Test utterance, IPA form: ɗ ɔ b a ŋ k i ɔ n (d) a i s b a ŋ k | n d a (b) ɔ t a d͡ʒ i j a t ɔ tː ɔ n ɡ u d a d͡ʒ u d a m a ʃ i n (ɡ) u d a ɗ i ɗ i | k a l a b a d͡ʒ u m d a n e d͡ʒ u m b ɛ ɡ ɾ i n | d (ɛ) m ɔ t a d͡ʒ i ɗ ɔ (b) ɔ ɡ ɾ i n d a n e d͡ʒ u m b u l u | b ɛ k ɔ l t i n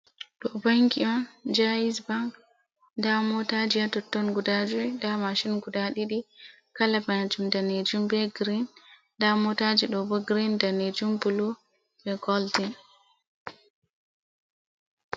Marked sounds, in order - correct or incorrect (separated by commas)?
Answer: incorrect, incorrect, correct, incorrect, correct